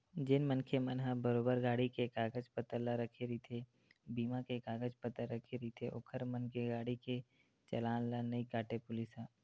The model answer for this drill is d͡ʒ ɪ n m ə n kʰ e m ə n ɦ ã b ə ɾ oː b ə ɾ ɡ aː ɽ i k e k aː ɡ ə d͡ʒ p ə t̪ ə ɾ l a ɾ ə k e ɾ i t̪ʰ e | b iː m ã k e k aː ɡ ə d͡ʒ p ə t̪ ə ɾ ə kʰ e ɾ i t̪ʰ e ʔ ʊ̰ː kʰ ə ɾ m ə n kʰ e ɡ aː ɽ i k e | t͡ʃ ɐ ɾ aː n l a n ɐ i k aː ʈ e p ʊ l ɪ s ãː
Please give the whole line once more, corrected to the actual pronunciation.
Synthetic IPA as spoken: d͡ʒ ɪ n m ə n kʰ e m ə n ɦ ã b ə ɾ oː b ə ɾ ɡ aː ɽ i k e k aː ɡ ə d͡ʒ p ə t̪ ə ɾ l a ɾ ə kʰ e ɾ i t̪ʰ e | b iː m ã k e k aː ɡ ə d͡ʒ p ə t̪ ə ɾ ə kʰ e ɾ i t̪ʰ e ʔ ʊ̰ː kʰ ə ɾ m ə n k e ɡ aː ɽ i k e | t͡ʃ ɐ l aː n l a n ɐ i k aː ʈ e p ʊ l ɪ s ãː